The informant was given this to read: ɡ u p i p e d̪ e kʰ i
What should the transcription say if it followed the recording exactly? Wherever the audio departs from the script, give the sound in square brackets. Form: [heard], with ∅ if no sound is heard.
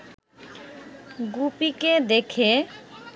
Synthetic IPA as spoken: ɡ u p i [k] e d̪ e kʰ [e]